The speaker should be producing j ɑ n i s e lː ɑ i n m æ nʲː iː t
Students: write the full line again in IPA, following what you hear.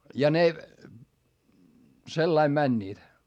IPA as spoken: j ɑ n e s e lː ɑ i m m æ nʲː iː t